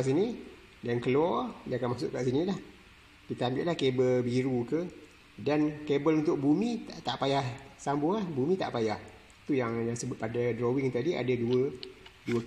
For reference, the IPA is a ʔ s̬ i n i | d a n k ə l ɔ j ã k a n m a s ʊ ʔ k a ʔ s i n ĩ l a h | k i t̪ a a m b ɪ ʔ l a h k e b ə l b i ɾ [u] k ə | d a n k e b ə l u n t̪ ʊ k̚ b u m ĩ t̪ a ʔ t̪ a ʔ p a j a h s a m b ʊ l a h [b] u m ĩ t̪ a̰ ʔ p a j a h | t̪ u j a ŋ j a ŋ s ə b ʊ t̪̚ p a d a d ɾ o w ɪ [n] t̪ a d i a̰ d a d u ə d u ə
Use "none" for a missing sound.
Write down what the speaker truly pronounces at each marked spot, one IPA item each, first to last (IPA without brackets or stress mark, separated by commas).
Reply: u, b, ŋ